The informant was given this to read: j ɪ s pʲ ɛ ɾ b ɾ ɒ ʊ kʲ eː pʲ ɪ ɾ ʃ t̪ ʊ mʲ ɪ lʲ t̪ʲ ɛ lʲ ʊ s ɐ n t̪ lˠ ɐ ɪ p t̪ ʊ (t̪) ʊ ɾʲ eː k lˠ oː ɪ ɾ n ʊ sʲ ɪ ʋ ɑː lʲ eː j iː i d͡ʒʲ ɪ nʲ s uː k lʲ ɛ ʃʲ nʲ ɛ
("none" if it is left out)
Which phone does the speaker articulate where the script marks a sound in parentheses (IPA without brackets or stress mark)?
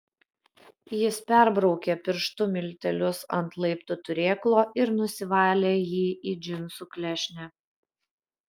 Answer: t̪